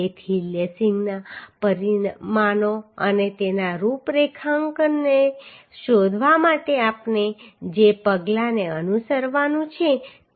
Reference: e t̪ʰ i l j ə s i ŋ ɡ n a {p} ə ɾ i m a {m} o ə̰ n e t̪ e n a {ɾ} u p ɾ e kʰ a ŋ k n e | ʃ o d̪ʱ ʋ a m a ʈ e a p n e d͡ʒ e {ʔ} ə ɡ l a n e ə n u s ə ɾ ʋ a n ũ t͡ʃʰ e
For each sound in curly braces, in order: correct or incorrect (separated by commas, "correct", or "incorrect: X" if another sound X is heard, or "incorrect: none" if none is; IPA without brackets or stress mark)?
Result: correct, incorrect: n, correct, incorrect: p